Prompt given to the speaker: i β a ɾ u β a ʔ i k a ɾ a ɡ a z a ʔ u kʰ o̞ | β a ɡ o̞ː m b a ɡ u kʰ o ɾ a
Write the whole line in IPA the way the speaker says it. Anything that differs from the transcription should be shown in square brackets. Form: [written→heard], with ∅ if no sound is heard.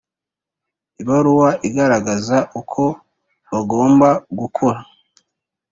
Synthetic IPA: i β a ɾ u [β→w] a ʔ i [k→ɡ] a ɾ a ɡ a z a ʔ u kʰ o̞ | β a ɡ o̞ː m b a ɡ u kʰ o ɾ a